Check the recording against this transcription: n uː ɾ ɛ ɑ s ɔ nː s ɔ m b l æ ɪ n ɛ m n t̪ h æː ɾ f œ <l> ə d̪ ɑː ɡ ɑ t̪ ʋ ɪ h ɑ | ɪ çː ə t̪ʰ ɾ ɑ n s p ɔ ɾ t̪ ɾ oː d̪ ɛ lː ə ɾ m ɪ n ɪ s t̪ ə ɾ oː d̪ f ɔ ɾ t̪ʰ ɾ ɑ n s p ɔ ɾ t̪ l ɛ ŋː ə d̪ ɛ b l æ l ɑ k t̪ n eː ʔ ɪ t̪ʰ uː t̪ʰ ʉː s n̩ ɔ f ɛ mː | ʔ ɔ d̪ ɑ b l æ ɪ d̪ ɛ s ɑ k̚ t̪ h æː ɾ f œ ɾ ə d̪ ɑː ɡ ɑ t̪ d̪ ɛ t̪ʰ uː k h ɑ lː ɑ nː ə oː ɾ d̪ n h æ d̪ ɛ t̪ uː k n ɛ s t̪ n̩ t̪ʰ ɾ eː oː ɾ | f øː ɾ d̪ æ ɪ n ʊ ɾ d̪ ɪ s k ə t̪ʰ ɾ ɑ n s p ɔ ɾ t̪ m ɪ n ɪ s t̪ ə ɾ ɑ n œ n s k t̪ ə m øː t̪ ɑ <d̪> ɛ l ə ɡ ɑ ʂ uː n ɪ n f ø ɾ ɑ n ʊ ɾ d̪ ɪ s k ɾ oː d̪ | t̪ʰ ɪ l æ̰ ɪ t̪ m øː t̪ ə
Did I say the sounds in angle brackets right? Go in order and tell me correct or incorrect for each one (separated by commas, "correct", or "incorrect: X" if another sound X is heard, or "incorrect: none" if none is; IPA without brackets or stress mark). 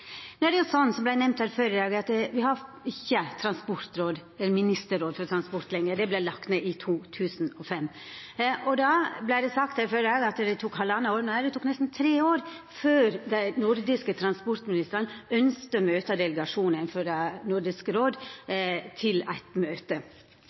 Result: incorrect: ɾ, correct